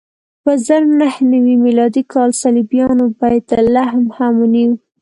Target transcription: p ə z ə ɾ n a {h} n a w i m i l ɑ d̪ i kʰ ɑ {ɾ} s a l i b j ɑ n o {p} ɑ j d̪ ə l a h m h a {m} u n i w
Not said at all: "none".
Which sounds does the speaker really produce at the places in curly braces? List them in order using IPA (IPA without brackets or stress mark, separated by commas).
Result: h, l, b, m